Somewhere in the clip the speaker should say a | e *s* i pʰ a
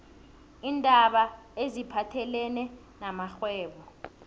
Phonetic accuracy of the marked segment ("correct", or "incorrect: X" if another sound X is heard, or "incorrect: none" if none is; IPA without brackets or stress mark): incorrect: z